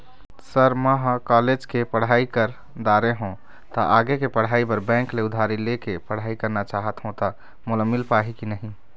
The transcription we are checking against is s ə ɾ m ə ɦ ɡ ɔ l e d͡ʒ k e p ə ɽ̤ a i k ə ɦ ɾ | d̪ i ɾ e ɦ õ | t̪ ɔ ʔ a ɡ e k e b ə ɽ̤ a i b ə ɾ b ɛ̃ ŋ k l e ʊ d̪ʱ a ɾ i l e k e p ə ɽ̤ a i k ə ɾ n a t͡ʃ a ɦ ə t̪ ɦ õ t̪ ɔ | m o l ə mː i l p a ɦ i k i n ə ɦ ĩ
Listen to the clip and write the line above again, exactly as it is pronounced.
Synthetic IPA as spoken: s ə ɾ m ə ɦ k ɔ l e d͡ʒ k e p ə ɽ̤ a i k ə ɾ | d̪ a ɾ e ɦ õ | t̪ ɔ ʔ a ɡ e k e p ə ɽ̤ a i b ə ɾ b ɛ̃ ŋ k l e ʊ d̪ʱ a ɾ i l e k e p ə ɽ̤ a i k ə ɾ n a t͡ʃ a ɦ ə t̪ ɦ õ t̪ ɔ | m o l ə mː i l p a ɦ i k i n ə ɦ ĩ